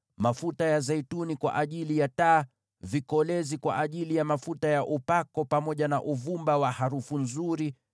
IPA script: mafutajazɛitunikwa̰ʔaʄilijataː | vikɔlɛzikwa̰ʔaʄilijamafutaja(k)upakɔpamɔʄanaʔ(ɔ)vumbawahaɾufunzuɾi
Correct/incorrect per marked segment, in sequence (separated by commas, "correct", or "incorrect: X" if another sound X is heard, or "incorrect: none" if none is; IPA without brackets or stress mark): incorrect: ʔ, incorrect: u